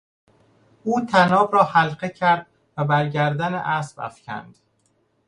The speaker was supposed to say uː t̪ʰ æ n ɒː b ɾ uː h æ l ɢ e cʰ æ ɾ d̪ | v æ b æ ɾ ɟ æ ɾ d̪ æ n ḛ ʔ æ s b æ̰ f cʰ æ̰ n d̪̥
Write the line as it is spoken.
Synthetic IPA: uː t̪ʰ æ n ɒː b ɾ ɒː h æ l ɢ e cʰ æ ɾ d̪ | v æ b æ ɾ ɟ æ ɾ d̪ æ n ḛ ʔ æ s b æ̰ f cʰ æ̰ n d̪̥